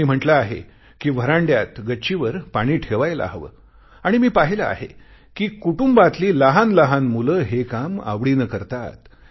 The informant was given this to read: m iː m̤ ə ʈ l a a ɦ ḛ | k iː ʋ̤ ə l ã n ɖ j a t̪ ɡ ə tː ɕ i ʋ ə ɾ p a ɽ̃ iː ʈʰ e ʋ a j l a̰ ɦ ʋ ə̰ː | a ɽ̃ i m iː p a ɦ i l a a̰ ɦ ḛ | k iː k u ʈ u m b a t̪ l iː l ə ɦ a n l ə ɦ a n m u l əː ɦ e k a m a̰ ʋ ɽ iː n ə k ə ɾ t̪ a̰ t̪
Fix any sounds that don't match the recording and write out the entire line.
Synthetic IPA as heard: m iː m̤ ə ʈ l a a ɦ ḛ | k iː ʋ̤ ə ɾ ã ɳ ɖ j a t̪ ɡ ə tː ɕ i ʋ ə ɾ p a ɽ̃ iː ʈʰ e ʋ a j l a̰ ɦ ʋ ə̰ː | a ɽ̃ i m iː p a ɦ i l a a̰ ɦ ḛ | k iː k u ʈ u m b a t̪ l iː l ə ɦ a n l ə ɦ a n m u l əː ɦ e k a m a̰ ʋ ɽ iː n ə k ə ɾ t̪ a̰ t̪